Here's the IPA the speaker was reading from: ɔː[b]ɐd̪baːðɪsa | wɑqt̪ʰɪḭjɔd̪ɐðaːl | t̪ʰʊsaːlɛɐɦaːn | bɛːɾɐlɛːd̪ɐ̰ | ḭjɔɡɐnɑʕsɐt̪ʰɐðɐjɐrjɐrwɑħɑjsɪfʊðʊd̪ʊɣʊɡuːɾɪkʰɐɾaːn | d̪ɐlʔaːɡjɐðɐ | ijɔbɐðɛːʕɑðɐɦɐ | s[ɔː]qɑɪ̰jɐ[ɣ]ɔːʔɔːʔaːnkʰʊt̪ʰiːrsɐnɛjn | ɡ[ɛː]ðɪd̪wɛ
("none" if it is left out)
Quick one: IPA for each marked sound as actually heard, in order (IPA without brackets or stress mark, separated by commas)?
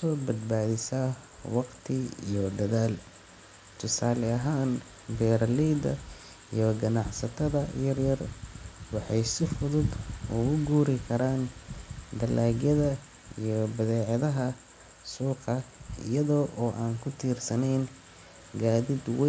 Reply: b, uː, ð, aː